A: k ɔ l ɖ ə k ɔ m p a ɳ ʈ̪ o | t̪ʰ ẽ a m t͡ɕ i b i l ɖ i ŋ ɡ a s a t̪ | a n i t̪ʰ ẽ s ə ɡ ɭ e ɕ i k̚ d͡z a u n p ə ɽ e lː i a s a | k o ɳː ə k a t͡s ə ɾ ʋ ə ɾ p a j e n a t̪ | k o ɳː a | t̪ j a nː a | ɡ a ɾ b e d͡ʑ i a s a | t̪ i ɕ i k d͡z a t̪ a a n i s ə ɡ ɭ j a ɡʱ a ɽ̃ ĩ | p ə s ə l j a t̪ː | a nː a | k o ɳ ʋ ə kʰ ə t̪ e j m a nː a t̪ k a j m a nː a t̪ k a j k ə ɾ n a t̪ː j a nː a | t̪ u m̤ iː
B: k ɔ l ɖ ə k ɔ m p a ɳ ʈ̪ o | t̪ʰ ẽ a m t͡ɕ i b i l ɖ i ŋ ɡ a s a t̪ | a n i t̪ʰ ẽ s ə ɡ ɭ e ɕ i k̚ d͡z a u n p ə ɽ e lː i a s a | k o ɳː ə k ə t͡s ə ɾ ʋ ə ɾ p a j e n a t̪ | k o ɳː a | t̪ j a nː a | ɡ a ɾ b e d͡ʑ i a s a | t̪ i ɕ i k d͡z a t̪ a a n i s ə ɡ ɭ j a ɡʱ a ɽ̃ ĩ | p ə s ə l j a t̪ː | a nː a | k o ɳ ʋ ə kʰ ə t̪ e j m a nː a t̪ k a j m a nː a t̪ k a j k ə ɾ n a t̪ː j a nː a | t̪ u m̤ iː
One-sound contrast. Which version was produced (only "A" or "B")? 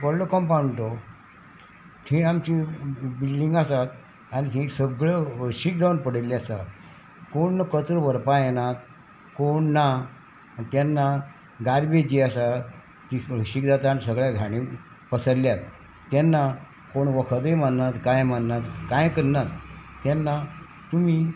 B